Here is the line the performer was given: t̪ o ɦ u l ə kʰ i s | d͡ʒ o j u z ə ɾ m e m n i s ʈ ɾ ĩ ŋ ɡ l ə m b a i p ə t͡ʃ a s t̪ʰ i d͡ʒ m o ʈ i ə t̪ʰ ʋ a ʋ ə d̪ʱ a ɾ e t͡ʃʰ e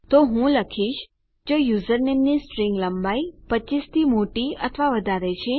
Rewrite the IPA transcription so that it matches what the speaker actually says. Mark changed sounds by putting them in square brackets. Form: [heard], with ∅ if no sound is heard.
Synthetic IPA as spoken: t̪ o ɦ [ũ] l ə kʰ i [ʃ] | d͡ʒ o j u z ə ɾ [n] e m n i s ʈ ɾ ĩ ŋ ɡ l ə m b a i p ə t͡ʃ [i] s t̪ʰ i [∅] m o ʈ i ə t̪ʰ ʋ a ʋ ə d̪ʱ a ɾ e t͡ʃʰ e